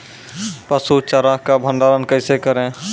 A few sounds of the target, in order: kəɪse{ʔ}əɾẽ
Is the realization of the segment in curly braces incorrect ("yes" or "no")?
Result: yes